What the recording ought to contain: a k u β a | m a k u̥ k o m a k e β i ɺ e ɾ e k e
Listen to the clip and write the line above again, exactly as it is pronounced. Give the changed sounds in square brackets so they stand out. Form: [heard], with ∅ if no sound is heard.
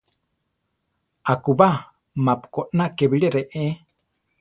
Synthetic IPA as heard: a k u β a | m a [p] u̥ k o [n] a k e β i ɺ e ɾ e [ʔ] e